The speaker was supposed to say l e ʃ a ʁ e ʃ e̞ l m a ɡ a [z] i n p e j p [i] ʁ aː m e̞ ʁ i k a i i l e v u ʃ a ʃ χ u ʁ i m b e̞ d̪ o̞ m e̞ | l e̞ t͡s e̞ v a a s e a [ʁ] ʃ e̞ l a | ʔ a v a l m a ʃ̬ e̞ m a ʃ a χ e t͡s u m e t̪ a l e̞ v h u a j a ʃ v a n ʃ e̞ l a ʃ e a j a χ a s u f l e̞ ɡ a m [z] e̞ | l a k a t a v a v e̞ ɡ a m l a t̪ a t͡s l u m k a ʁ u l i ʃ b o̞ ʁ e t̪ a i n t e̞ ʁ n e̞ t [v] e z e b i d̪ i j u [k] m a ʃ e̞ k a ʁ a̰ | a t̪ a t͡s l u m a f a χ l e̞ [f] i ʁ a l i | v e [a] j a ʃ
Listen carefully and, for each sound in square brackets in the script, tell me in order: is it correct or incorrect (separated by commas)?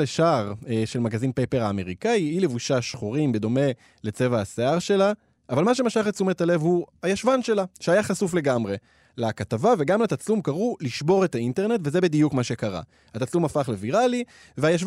correct, incorrect, correct, incorrect, correct, correct, incorrect, correct